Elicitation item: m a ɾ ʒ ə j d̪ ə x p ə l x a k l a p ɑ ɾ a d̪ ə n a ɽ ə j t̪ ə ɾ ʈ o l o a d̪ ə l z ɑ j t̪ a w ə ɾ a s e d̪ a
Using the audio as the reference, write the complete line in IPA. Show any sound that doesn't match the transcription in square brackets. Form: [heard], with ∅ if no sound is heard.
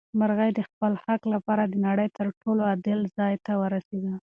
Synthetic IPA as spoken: m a ɾ [ɣ] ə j d̪ ə x p ə l x a k l a p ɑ ɾ a d̪ ə n a ɽ ə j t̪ ə ɾ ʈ o l o a d̪ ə l z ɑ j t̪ a w ə ɾ a s e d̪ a